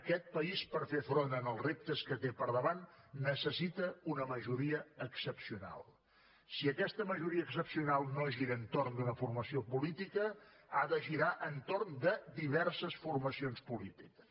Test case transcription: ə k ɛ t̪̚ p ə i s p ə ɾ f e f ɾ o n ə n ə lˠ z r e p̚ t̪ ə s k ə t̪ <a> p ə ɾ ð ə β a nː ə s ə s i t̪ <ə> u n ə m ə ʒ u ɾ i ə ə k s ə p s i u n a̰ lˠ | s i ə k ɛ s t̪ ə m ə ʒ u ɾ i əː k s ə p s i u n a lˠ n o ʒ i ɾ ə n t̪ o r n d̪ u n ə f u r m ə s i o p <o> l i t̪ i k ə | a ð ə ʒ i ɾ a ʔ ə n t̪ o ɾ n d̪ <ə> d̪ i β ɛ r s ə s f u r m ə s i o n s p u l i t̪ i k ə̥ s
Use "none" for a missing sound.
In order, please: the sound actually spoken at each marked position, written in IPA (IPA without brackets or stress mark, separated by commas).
e, ə, u, ə